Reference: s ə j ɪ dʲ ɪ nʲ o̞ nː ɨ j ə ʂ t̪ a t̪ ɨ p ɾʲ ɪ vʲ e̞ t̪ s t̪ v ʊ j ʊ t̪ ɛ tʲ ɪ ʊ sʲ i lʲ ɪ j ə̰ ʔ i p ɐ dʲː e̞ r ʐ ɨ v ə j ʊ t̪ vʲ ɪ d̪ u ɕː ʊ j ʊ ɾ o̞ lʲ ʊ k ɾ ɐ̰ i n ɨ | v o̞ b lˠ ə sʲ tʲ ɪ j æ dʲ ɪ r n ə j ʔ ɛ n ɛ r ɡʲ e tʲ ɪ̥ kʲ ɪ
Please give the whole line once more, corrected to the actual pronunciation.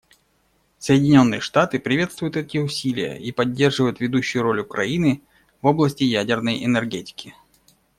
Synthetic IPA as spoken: s ə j ɪ dʲ ɪ nʲ o̞ nː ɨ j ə ʂ t̪ a t̪ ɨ p ɾʲ ɪ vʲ e̞ t̪ s t̪ v ʊ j ʊ t̪ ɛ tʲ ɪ ʊ sʲ i lʲ ɪ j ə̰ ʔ i p ɐ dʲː e̞ r ʐ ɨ v ə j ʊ t̪ vʲ ɪ d̪ u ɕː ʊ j ʊ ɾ o̞ lʲ ʊ k ɾ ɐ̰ i n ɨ | v o̞ b lˠ ə sʲ tʲ ɪ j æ dʲ ɪ r n ə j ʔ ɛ n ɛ r ɡʲ e tʲ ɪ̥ kʲ ɪ

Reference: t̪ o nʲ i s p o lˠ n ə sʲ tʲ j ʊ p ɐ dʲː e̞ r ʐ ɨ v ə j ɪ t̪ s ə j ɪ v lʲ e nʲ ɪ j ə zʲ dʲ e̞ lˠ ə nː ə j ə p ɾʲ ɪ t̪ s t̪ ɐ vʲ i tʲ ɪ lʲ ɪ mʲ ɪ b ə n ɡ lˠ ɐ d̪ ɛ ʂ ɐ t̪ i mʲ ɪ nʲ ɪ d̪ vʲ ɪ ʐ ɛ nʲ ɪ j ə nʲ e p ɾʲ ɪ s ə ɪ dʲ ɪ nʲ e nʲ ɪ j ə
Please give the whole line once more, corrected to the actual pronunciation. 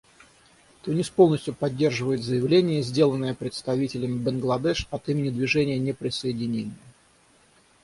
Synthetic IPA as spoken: t̪ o nʲ i s p o lˠ n ə sʲ tʲ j ʊ p ɐ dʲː e̞ r ʐ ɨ v ə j ɪ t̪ z ə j ɪ v lʲ e nʲ ɪ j ə zʲ dʲ e̞ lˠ ə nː ə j ə p ɾʲ ɪ t̪ s t̪ ɐ vʲ i tʲ ɪ lʲ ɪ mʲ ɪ b ə n ɡ lˠ ɐ d̪ ɛ ʂ ɐ t̪ i mʲ ɪ nʲ ɪ d̪ vʲ ɪ ʐ ɛ nʲ ɪ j ə nʲ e p ɾʲ ɪ s ə ɪ dʲ ɪ nʲ e nʲ ɪ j ə

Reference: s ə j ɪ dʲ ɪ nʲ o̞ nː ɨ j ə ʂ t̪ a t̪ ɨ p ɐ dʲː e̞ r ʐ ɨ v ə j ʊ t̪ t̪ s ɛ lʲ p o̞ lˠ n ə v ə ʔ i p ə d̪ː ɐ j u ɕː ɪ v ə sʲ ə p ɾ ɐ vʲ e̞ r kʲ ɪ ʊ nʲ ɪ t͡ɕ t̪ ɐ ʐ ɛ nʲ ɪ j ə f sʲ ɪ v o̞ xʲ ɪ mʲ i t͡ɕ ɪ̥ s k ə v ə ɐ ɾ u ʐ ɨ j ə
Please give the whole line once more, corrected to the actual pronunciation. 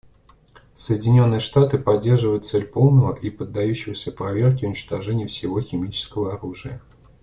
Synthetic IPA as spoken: s ə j ɪ dʲ ɪ nʲ o̞ nː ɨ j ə ʂ t̪ a t̪ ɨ p ɐ dʲː e̞ r ʐ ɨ v ə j ʊ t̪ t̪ s ɛ lʲ p o̞ lˠ n ə v ə ʔ i p ə d̪ː ɐ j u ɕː ɪ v ə sʲ ə p ɾ ɐ vʲ e̞ r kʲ ɪ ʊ nʲ ɪ t͡ɕ t̪ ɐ ʐ ɛ nʲ ɪ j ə f sʲ ɪ v o̞ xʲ ɪ mʲ i t͡ɕ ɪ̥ s k ə v ə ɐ ɾ u ʐ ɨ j ə

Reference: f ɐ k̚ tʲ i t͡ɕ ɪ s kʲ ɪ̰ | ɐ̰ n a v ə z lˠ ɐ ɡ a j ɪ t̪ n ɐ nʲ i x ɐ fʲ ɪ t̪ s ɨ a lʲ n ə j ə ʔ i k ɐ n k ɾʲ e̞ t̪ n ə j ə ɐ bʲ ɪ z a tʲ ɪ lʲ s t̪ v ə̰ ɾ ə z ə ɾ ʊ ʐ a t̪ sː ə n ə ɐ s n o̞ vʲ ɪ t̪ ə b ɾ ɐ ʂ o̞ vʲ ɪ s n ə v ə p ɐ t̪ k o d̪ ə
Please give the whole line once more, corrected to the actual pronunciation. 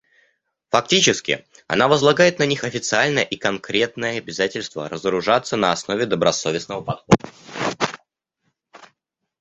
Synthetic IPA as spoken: f ɐ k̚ tʲ i t͡ɕ ɪ s kʲ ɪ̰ | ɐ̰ n a v ə z lˠ ɐ ɡ a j ɪ t̪ n ɐ nʲ i x ɐ fʲ ɪ t̪ s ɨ a lʲ n ə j ə ʔ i k ɐ n k ɾʲ e̞ t̪ n ə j ə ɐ bʲ ɪ z a tʲ ɪ lʲ s t̪ v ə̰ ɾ ə z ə ɾ ʊ ʐ a t̪ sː ə n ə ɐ s n o̞ vʲ ɪ d̪ ə b ɾ ɐ s o̞ vʲ ɪ s n ə v ə p ɐ t̪ x o d̪ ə

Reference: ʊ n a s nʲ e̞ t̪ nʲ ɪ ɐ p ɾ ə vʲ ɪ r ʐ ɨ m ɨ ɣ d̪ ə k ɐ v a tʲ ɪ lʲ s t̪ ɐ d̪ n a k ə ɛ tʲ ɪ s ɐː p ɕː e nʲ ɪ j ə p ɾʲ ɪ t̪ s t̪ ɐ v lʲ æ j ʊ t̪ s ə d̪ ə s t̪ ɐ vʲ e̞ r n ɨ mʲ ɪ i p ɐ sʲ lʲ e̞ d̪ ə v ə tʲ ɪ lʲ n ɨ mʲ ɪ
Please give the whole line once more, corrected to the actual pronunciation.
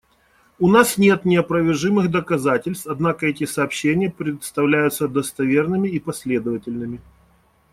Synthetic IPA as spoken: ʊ n a s nʲ e̞ t̪ nʲ ɪ ɐ p ɾ ə vʲ ɪ r ʐ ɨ m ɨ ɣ d̪ ə k ɐ z a tʲ ɪ lʲ s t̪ ɐ d̪ n a k ə ɛ tʲ ɪ s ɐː p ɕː e nʲ ɪ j ə p ɾʲ ɪ t̪ s t̪ ɐ v lʲ æ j ʊ t̪ s ə d̪ ə s t̪ ɐ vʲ e̞ r n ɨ mʲ ɪ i p ɐ sʲ lʲ e̞ d̪ ə v ə tʲ ɪ lʲ n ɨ mʲ ɪ

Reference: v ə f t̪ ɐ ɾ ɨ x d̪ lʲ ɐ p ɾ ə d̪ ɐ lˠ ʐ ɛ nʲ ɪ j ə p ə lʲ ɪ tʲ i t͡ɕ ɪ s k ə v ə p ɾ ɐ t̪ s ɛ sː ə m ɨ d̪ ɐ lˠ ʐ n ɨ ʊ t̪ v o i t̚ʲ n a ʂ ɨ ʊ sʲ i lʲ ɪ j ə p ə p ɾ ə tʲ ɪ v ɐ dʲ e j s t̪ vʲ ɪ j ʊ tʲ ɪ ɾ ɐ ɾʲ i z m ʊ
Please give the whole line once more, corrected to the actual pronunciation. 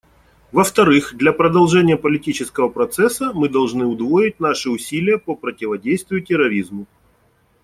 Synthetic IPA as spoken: v ə f t̪ ɐ ɾ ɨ x d̪ lʲ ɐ p ɾ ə d̪ ɐ lˠ ʐ ɛ nʲ ɪ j ə p ə lʲ ɪ tʲ i t͡ɕ ɪ s k ə v ə p ɾ ɐ t̪ s ɛ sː ə m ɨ d̪ ɐ lˠ ʐ n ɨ ʊ d̪ v o ɪ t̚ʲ n a ʂ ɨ ʊ sʲ i lʲ ɪ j ə p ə p ɾ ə tʲ ɪ v ɐ dʲ e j s t̪ vʲ ɪ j ʊ tʲ ɪ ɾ ɐ ɾʲ i z m ʊ

